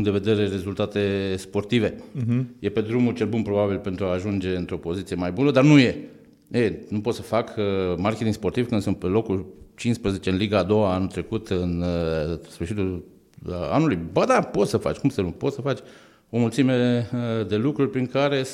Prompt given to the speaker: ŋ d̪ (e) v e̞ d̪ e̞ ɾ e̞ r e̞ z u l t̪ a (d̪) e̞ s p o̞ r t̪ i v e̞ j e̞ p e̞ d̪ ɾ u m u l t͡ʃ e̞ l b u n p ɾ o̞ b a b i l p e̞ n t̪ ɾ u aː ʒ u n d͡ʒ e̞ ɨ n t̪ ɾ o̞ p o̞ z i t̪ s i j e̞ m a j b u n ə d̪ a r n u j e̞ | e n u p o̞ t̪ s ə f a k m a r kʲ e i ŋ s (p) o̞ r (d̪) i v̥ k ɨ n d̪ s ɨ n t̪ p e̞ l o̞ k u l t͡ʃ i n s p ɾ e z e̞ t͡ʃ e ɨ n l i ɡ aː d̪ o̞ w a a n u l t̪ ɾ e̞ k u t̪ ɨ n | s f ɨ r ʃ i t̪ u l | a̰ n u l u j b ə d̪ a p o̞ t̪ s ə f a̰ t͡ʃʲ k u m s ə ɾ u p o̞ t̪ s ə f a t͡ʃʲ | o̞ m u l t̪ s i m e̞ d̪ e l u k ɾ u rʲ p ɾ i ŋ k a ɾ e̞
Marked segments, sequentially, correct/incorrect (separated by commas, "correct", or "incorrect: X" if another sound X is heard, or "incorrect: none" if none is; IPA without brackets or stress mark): correct, incorrect: t̪, correct, incorrect: t̪